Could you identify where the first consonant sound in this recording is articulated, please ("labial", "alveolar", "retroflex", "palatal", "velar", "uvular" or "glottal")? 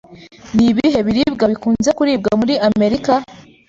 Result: alveolar